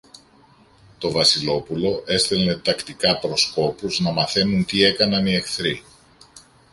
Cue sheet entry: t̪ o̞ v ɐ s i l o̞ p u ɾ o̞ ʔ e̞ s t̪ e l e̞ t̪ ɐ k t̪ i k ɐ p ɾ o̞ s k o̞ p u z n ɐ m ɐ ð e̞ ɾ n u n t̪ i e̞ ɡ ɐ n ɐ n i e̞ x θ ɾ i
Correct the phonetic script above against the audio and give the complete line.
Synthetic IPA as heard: t̪ o̞ v ɐ s i l o̞ p u l o̞ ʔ e̞ s t̪ e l e̞ t̪ ɐ k t̪ i k ɐ p ɾ o̞ s k o̞ p u z n ɐ m ɐ θ e̞ n u n t̪ i e̞ k ɐ n ɐ n i e̞ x θ ɾ i